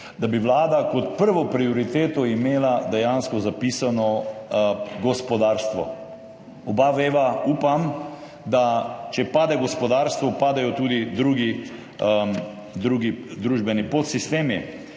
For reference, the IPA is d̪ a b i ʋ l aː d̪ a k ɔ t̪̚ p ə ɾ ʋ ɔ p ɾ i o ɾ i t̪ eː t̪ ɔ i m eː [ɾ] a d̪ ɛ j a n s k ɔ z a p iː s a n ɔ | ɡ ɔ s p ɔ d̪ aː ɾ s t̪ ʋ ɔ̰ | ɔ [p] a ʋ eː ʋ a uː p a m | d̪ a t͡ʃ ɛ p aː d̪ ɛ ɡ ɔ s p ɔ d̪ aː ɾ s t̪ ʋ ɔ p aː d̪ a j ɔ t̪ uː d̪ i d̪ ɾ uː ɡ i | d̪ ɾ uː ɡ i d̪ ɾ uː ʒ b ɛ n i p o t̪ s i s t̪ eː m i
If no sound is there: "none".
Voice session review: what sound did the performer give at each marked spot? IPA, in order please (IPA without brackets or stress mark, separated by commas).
l, b